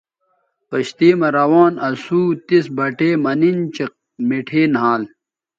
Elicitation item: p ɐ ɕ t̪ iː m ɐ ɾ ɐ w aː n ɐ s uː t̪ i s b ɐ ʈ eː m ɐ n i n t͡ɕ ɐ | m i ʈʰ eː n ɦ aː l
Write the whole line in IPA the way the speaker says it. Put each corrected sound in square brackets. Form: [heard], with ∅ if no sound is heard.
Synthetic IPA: p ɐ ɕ t̪ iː m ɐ ɾ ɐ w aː n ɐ s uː t̪ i s b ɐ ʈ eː m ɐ n i n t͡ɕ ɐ | m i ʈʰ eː n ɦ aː l